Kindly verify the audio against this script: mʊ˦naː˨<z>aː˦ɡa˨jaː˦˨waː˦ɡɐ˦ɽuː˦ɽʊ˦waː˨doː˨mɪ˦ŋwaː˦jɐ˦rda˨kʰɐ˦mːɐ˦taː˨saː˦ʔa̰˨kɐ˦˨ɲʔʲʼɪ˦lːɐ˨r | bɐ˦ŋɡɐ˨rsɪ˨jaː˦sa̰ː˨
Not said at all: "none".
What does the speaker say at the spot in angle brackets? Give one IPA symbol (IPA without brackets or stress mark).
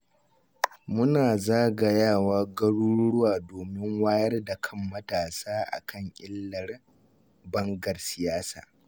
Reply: z